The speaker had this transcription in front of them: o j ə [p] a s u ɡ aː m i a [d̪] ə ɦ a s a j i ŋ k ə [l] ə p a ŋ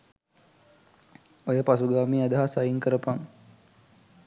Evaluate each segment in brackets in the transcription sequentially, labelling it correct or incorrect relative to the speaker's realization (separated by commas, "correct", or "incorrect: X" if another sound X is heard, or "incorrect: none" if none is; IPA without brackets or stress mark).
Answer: correct, correct, incorrect: ɾ